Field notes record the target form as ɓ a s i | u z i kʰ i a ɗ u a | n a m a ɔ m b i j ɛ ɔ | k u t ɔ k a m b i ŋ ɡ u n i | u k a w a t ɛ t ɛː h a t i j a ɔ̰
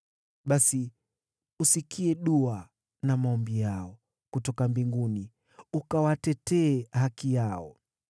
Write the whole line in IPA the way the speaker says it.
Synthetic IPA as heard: ɓ a s i | u s i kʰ i ɛ ɗ u a | n a m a ɔ m b i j a ɔ | k u t ɔ k a m b i ŋ ɡ u n i | u k a w a t ɛ t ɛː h a k i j a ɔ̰